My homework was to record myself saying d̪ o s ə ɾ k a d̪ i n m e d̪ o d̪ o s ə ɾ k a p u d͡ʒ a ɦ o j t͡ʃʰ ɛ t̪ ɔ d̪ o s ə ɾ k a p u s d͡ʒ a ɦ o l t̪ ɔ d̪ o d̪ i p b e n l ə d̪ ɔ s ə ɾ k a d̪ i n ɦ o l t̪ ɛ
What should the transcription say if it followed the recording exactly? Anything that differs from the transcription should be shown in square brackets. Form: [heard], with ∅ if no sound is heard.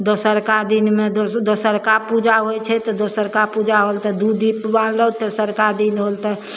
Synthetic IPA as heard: d̪ o s ə ɾ k a d̪ i n m e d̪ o d̪ o s ə ɾ k a p u d͡ʒ a ɦ o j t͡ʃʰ ɛ t̪ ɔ d̪ o s ə ɾ k a p u [∅] d͡ʒ a ɦ o l t̪ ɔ d̪ [u] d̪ i p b [a] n l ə [t̪] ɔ s ə ɾ k a d̪ i n ɦ o l t̪ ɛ